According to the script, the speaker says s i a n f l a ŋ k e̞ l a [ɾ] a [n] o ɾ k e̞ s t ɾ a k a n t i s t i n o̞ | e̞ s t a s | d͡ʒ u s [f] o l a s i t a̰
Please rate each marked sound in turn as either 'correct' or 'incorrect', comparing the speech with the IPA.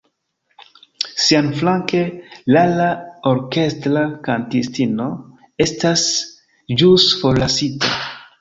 incorrect: l, incorrect: none, correct

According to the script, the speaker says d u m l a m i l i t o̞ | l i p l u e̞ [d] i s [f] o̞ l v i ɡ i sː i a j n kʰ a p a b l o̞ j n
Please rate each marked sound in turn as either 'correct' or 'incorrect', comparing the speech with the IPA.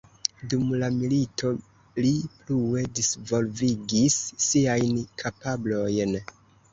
correct, incorrect: v

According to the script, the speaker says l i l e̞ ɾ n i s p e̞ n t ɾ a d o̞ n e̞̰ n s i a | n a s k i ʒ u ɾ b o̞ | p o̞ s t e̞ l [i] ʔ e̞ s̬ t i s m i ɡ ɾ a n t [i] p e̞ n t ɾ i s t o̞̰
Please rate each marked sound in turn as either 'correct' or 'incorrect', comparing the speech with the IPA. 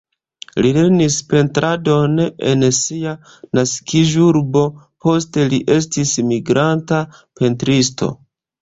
correct, incorrect: a

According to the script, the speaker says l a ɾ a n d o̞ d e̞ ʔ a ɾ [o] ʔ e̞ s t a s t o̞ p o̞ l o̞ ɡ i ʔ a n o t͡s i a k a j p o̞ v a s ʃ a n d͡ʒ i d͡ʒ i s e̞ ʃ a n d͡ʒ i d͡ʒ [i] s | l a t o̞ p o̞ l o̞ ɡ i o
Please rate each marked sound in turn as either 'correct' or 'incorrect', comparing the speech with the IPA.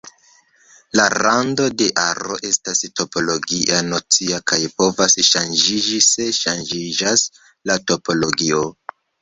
correct, incorrect: a

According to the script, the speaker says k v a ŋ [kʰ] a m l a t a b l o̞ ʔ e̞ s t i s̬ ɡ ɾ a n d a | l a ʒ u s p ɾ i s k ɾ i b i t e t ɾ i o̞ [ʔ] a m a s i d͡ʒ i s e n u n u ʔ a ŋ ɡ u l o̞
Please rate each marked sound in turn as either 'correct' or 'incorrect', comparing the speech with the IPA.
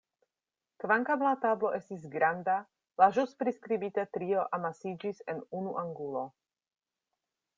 incorrect: k, correct

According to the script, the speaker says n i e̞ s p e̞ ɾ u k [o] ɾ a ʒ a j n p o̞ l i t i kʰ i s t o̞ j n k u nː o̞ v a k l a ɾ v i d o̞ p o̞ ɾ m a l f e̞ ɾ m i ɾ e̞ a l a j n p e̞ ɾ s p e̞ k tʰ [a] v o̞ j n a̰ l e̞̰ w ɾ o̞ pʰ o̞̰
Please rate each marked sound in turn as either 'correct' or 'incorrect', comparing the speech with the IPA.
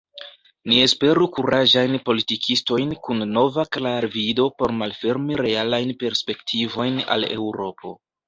incorrect: u, incorrect: i

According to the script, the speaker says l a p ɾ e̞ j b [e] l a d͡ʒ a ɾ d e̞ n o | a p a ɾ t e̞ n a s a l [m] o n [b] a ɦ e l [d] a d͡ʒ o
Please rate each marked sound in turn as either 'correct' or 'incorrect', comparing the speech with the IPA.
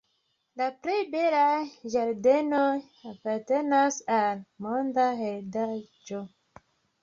correct, correct, incorrect: d, correct

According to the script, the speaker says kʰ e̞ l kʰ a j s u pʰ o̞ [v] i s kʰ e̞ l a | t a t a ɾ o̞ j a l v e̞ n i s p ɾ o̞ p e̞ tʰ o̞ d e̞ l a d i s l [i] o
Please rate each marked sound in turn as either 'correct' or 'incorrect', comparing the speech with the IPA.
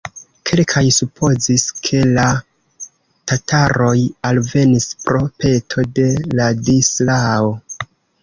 incorrect: z, incorrect: a

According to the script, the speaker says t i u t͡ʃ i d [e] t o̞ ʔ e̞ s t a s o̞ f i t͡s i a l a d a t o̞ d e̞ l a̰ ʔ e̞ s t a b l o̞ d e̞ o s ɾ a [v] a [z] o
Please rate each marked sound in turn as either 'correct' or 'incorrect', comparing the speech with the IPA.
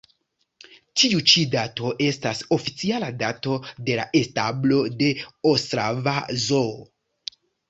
incorrect: a, correct, correct

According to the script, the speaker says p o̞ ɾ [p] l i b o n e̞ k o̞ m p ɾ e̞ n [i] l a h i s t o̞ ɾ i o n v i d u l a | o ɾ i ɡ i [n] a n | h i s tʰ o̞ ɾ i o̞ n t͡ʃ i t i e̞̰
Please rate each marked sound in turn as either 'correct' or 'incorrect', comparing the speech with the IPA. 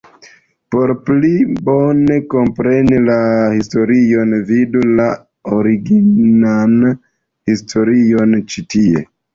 correct, correct, correct

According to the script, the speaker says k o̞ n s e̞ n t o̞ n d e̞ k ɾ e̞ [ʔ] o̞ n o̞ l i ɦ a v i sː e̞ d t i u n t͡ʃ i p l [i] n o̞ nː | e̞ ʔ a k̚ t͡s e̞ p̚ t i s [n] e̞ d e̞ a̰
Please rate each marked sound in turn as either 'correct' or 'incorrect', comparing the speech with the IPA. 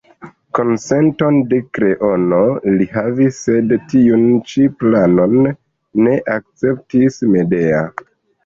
correct, incorrect: a, incorrect: m

